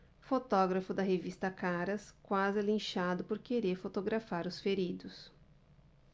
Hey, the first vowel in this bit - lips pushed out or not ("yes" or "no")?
yes